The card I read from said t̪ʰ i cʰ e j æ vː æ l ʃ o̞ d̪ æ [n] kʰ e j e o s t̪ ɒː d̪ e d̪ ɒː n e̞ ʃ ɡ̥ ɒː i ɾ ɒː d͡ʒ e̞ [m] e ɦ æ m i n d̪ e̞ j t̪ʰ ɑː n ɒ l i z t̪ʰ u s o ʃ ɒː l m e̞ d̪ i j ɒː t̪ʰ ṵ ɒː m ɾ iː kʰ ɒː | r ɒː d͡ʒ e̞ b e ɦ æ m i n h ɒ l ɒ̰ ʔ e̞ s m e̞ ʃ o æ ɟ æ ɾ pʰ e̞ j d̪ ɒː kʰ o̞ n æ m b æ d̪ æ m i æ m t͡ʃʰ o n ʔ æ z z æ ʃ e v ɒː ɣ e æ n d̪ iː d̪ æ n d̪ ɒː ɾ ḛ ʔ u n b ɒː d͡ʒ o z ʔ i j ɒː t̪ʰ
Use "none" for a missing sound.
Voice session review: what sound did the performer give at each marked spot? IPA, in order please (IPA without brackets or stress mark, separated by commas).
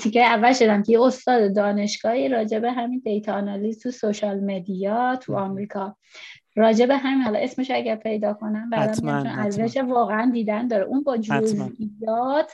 m, b